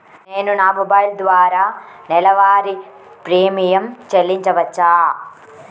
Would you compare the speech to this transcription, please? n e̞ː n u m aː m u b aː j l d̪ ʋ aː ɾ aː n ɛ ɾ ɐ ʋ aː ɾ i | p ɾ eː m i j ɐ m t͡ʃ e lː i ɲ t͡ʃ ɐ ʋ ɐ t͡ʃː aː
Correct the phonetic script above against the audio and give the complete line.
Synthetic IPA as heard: n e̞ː n u n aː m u b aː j l d̪ ʋ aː ɾ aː n ɛ l ɐ ʋ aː ɾ i | p ɾ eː m i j ɐ m t͡ʃ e lː i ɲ t͡ʃ ɐ ʋ ɐ t͡ʃː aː